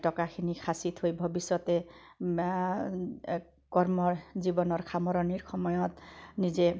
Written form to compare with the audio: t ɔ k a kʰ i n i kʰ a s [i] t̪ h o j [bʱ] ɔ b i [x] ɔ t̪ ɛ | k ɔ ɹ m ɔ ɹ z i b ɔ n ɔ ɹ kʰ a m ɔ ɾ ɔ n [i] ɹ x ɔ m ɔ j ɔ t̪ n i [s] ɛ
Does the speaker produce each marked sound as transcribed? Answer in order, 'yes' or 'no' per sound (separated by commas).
yes, yes, no, yes, no